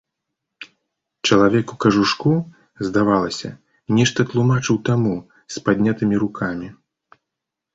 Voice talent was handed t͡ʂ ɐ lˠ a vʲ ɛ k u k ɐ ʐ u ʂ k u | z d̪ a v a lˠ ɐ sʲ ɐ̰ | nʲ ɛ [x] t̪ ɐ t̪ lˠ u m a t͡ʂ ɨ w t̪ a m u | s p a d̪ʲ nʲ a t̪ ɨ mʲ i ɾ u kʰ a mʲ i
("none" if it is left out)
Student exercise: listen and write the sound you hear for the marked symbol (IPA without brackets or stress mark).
ʂ